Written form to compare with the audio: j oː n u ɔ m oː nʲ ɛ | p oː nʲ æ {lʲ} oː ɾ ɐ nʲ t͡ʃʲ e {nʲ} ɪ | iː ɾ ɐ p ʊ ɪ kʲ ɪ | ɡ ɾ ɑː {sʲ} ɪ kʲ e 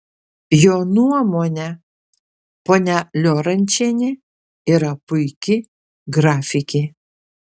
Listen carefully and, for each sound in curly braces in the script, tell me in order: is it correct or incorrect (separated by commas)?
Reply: correct, correct, incorrect